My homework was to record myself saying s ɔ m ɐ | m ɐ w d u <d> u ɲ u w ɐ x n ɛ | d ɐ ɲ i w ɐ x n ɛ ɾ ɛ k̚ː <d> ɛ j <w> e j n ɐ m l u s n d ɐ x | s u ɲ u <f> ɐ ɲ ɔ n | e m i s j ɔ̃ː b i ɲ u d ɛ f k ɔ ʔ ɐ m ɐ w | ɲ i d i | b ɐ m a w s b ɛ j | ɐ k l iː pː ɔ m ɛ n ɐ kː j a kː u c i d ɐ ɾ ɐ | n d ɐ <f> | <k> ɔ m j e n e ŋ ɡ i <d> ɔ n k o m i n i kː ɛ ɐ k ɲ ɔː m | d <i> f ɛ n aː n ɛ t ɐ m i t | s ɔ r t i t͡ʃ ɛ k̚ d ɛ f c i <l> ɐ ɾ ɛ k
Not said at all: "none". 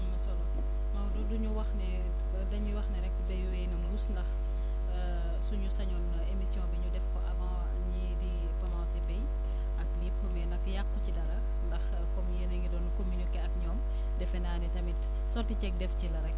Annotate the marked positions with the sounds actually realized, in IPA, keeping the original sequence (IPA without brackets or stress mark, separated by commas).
d, b, w, s, x, k, d, ɛ, l